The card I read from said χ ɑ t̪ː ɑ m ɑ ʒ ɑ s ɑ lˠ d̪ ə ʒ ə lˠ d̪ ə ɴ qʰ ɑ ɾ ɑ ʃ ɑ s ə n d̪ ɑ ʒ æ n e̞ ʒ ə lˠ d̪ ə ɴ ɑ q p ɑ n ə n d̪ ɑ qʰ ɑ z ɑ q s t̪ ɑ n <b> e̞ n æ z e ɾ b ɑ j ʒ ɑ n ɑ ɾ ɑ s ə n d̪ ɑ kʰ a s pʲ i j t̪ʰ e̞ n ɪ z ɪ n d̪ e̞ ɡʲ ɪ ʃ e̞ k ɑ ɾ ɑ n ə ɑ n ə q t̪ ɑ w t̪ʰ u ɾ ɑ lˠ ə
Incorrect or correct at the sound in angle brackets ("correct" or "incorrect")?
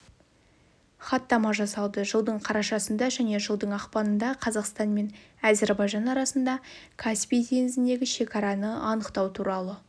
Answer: incorrect